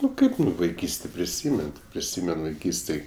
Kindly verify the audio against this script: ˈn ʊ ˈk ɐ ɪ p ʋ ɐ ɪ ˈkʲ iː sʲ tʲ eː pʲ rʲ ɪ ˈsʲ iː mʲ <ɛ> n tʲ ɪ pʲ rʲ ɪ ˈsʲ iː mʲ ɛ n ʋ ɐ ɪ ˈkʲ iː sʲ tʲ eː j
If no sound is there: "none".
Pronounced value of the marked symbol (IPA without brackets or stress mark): ɛ